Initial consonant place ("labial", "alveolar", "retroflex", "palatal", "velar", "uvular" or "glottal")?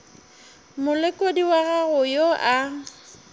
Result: labial